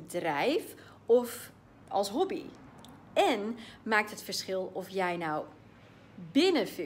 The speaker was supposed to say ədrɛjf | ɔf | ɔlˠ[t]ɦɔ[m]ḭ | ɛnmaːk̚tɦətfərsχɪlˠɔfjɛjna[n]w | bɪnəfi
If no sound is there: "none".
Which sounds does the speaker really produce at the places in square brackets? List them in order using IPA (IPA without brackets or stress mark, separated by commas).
s, b, none